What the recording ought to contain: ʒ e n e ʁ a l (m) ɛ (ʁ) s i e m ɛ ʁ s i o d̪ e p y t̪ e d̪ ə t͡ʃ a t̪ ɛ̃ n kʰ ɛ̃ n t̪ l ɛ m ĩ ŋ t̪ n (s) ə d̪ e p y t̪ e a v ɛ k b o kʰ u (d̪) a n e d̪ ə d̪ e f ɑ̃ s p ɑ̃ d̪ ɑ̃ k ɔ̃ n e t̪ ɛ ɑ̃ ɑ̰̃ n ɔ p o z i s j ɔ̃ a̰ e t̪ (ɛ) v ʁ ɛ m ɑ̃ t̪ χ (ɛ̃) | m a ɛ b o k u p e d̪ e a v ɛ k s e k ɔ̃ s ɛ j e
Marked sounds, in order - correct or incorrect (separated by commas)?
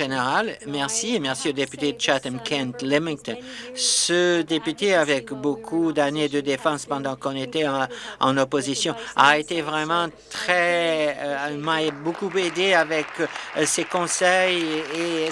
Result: correct, correct, correct, correct, incorrect, incorrect